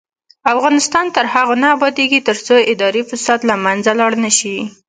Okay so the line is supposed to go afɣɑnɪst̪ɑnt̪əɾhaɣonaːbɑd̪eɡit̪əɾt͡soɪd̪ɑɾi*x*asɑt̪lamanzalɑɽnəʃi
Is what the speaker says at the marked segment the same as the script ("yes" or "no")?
no